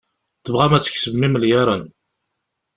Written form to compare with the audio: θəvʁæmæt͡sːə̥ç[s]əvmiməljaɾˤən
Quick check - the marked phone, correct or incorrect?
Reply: correct